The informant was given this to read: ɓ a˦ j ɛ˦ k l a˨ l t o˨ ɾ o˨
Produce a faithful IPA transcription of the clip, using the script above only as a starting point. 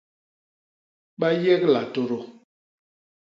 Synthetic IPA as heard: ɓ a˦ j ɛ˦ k l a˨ t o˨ ɾ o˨